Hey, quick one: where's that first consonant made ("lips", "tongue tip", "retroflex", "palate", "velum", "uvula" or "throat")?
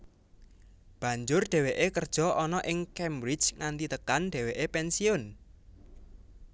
lips